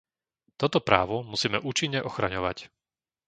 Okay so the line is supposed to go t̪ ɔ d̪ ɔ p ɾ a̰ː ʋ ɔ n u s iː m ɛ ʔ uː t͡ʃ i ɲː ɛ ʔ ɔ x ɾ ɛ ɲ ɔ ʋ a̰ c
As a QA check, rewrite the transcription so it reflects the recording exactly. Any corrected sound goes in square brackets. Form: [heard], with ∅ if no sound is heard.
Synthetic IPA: t̪ ɔ [t̪] ɔ p ɾ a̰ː ʋ ɔ [m] u s iː m ɛ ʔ uː t͡ʃ i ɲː ɛ ʔ ɔ x ɾ [a] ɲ ɔ ʋ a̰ c